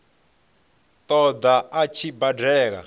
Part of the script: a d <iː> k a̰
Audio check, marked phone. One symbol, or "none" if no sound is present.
ɛː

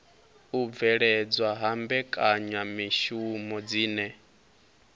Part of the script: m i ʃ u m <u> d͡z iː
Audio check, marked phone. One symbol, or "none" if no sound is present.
ɔ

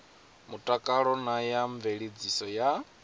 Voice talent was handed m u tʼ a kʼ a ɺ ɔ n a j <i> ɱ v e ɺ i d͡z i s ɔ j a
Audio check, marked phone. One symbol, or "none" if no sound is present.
a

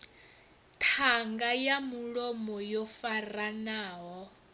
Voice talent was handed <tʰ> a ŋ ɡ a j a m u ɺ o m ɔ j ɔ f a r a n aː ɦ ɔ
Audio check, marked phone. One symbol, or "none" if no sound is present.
tʰ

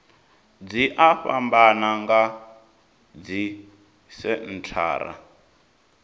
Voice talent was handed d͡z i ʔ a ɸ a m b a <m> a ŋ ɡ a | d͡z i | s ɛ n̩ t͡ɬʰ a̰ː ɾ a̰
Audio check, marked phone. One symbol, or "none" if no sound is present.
n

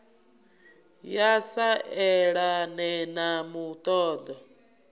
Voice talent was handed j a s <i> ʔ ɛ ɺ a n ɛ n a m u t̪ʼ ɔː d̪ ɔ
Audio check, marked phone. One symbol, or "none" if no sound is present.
a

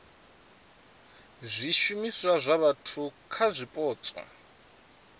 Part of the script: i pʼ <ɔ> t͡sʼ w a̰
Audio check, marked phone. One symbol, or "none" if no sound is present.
ɔː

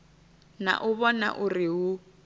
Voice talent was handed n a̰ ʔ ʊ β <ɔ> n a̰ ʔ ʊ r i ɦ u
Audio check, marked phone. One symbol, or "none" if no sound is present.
ɔ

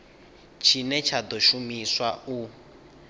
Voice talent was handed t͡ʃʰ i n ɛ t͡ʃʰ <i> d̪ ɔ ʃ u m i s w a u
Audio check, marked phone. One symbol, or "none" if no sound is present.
a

